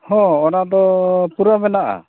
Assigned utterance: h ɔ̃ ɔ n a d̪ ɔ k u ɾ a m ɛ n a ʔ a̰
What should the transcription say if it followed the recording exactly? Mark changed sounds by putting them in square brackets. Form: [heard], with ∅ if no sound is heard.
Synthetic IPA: h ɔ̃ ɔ n a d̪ ɔ [p] u ɾ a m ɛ n a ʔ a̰